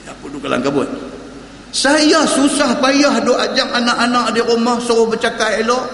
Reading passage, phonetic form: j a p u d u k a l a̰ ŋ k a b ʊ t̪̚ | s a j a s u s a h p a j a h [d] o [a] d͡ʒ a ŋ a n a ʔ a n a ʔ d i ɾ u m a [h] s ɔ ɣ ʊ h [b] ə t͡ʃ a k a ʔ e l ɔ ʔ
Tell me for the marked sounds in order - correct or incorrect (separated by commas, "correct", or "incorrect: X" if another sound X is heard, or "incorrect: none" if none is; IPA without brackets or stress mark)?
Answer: correct, correct, correct, correct